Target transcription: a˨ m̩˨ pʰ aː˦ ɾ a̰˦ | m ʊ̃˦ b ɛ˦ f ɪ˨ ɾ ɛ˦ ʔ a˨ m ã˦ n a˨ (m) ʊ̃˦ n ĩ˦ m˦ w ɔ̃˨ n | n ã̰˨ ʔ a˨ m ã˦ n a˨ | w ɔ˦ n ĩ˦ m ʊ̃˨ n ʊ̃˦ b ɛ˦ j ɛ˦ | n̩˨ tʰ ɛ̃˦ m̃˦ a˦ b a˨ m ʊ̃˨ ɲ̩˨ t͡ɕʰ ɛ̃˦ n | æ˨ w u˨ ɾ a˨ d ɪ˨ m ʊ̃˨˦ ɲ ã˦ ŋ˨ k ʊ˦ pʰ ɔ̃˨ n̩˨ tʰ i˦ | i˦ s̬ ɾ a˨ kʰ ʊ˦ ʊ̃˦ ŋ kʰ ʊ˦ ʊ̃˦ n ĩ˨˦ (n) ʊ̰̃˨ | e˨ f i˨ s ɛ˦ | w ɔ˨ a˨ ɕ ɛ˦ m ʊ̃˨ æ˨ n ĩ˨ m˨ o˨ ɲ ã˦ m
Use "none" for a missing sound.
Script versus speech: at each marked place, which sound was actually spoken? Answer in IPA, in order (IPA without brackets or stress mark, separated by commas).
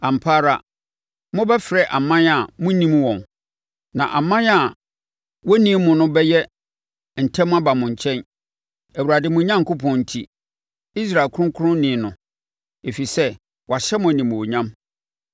m, n